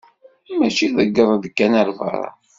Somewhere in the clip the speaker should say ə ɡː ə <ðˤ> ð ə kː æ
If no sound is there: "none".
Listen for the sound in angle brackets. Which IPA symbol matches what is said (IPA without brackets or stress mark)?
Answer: ðˤ